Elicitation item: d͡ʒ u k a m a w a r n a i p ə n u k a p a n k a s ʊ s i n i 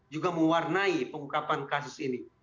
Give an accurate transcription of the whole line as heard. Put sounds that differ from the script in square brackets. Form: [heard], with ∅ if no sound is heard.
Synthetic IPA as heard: d͡ʒ u [ɡ] a m [ə] w a r n a i p ə [ŋ] u k a p a n k a s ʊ s i n i